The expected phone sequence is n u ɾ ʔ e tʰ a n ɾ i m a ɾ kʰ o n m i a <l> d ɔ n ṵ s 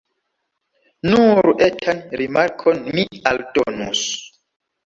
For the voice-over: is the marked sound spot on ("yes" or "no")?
yes